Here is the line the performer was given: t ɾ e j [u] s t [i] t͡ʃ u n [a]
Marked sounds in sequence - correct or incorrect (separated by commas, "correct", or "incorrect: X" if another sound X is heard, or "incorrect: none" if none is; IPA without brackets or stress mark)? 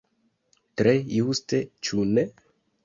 correct, incorrect: e, incorrect: e